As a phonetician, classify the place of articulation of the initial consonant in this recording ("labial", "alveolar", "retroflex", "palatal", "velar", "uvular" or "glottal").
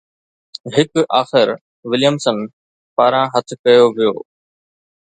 glottal